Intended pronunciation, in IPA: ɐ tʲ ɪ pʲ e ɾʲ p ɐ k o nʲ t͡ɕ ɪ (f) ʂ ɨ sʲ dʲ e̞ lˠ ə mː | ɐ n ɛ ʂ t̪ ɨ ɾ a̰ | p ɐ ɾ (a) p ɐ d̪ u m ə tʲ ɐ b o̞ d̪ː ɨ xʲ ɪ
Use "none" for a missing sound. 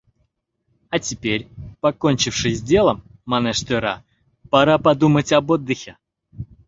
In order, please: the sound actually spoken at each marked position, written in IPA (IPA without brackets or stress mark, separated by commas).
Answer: f, a